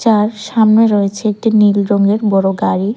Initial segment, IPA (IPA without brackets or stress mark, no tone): t͡ɕ